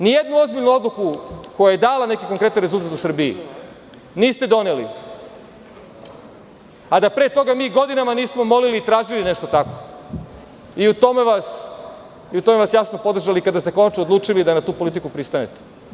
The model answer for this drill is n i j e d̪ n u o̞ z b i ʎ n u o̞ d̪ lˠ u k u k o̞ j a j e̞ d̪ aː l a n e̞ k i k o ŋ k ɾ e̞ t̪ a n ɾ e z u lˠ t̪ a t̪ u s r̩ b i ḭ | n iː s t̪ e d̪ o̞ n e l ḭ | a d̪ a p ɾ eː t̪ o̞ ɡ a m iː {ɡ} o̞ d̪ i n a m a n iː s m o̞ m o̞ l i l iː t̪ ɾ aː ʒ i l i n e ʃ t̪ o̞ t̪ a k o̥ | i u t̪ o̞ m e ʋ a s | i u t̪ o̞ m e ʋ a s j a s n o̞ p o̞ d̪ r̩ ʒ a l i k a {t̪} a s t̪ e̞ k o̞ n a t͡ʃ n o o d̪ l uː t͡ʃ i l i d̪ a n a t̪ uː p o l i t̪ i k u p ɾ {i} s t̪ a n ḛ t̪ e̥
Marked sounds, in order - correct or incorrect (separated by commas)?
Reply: correct, incorrect, correct